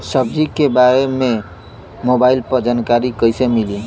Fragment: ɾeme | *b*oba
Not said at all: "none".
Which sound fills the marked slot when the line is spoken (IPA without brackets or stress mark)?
m